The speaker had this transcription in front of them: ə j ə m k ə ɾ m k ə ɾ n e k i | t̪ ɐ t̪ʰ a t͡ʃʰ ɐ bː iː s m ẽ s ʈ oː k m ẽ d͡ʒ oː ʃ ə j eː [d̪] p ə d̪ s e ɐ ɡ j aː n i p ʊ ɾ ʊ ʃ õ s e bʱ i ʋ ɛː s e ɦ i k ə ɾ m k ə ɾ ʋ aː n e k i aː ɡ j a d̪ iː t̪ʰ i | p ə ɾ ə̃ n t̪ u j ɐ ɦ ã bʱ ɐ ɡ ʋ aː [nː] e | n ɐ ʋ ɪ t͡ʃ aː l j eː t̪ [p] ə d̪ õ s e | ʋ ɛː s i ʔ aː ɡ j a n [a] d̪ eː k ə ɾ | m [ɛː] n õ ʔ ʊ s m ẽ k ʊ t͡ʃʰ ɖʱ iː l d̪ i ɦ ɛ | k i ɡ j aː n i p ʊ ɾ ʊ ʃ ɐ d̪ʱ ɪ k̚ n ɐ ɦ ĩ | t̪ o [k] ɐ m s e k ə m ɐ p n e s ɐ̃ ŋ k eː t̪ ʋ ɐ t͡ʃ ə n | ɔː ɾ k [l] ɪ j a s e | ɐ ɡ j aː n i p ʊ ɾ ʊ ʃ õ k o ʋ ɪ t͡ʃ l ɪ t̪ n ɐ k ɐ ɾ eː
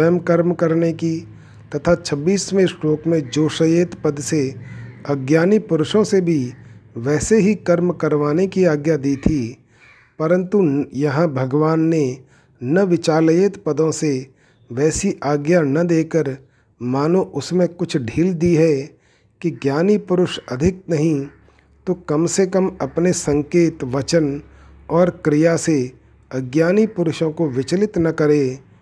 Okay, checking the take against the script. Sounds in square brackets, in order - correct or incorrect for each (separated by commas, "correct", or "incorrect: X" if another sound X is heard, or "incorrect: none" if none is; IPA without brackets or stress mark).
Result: incorrect: t̪, correct, correct, incorrect: ɐ, incorrect: aː, correct, incorrect: ɾ